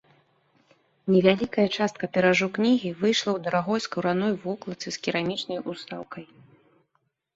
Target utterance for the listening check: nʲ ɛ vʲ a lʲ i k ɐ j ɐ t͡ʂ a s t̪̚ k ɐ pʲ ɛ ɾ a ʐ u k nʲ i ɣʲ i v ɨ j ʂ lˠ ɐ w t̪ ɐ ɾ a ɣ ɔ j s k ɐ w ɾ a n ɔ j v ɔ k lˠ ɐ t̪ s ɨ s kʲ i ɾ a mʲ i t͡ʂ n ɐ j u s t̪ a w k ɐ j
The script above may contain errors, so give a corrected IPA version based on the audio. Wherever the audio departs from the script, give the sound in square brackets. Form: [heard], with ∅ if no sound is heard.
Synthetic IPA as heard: nʲ ɛ vʲ a lʲ i k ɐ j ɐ t͡ʂ a s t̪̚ k ɐ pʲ ɛ ɾ a ʐ u k nʲ i ɣʲ i v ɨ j ʂ lˠ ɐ w [d̪] ɐ ɾ a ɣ ɔ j s k ɐ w ɾ a n ɔ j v ɔ k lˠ ɐ t̪ s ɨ s kʲ i ɾ a mʲ i t͡ʂ n ɐ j u s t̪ a w k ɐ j